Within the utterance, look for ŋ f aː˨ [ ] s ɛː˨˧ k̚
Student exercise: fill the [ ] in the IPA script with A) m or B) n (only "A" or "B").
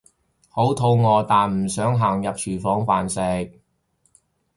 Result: B